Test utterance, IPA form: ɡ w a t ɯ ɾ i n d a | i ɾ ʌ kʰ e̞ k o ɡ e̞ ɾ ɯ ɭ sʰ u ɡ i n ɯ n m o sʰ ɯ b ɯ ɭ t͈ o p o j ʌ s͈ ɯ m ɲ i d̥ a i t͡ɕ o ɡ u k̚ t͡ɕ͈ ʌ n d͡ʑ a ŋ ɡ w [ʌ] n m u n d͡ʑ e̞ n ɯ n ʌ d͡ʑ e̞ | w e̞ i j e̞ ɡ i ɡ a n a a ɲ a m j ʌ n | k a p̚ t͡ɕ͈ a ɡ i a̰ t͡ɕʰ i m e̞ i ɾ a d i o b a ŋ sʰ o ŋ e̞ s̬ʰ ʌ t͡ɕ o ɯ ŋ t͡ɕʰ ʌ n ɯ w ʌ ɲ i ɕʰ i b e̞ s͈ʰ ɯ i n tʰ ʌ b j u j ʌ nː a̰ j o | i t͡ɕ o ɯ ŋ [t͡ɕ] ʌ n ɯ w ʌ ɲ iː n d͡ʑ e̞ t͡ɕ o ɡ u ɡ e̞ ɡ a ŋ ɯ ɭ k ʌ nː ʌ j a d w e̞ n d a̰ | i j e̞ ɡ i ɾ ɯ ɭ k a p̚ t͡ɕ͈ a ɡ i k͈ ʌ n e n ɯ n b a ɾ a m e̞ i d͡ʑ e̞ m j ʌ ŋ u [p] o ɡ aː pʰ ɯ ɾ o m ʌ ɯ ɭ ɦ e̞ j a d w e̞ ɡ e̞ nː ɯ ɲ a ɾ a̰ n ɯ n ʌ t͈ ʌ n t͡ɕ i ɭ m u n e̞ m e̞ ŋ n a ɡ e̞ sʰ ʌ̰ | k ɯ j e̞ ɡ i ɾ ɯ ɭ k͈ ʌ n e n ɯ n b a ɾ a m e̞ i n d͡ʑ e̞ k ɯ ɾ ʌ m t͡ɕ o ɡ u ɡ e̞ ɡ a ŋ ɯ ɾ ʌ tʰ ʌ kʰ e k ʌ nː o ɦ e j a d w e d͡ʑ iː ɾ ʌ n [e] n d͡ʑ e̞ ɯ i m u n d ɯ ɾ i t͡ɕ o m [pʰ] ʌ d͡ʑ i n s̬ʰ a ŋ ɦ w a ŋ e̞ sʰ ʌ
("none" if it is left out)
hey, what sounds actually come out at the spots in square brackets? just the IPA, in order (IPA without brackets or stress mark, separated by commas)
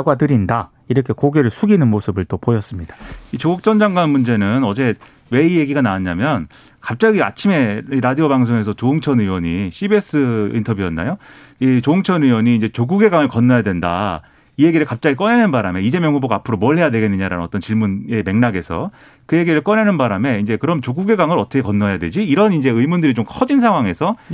a, t͡ɕʰ, b, i, kʰ